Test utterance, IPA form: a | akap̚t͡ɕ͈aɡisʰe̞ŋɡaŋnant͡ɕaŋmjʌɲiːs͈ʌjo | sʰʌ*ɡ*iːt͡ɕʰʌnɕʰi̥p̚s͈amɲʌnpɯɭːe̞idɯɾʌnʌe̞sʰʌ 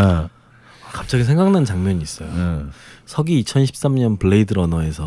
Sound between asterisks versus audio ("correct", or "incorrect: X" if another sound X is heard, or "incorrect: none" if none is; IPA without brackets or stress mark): correct